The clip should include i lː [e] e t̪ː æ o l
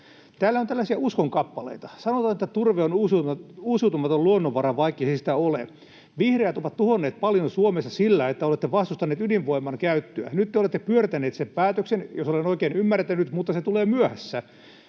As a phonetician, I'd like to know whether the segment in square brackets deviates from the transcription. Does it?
yes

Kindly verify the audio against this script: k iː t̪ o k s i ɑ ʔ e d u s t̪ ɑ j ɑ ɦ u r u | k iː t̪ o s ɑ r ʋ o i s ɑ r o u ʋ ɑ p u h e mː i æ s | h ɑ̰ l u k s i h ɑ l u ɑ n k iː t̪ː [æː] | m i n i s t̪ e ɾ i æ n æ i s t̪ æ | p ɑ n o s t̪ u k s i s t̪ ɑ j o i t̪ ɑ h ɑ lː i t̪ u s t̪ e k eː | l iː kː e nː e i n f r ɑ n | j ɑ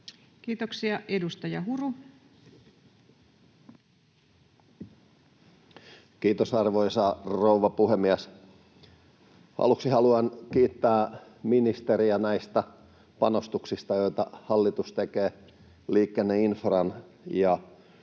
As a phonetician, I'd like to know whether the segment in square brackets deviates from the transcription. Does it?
no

